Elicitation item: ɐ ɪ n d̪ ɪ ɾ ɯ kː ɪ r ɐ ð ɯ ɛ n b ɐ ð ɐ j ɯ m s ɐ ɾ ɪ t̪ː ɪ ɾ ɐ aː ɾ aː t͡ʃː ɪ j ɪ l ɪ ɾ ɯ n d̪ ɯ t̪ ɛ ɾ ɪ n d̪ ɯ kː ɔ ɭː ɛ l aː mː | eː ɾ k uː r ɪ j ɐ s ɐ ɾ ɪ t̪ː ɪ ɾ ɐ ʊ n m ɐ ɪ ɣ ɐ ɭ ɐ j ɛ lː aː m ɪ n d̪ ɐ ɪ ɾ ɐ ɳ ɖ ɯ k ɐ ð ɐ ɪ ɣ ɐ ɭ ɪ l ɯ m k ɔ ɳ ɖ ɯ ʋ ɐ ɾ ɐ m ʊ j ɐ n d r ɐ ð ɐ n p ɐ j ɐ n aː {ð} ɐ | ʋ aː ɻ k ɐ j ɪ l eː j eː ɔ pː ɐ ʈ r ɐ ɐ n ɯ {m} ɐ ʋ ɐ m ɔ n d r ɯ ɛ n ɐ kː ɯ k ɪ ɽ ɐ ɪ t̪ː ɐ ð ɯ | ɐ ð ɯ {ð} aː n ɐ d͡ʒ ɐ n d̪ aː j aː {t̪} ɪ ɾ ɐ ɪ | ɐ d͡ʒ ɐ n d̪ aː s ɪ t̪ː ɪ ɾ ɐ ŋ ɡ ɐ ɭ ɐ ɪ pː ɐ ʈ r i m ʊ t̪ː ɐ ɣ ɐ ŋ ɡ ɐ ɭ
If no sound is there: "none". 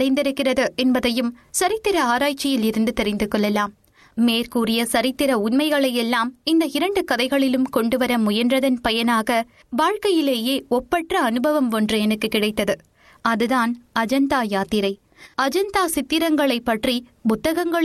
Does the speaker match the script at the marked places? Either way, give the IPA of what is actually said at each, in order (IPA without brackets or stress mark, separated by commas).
ɣ, b, ð, t̪